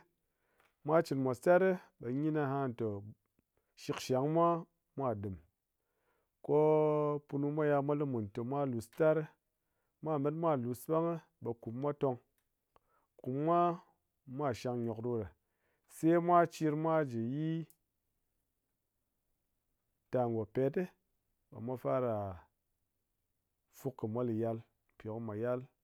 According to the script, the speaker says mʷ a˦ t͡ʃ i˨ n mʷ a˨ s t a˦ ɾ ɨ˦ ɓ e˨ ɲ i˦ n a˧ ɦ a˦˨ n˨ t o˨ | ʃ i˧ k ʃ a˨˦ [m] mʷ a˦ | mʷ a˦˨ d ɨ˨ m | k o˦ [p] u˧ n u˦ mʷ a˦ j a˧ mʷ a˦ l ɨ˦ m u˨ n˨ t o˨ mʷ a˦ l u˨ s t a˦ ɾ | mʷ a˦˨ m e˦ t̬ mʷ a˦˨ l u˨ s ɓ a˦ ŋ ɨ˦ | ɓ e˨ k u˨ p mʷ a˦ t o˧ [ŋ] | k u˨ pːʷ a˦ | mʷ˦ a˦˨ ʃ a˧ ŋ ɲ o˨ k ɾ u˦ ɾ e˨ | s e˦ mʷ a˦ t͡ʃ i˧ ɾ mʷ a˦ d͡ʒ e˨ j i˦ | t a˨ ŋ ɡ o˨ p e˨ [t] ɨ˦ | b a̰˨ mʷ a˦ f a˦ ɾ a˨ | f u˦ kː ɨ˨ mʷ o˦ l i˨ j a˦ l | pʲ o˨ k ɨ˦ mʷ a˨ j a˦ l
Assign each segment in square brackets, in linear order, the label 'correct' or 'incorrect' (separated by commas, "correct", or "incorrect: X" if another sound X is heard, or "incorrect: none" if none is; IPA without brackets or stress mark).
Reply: incorrect: ŋ, correct, correct, correct